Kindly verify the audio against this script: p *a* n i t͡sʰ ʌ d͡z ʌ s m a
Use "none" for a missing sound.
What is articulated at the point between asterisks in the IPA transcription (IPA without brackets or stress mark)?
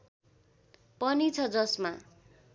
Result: ʌ